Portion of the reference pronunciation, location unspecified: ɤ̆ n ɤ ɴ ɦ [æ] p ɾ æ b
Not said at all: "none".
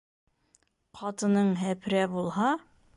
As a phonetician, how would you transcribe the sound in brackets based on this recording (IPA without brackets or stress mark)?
æ